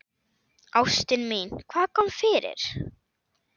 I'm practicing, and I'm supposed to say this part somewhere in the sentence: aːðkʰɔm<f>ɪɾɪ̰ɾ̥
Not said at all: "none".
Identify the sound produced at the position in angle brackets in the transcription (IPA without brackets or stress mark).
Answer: f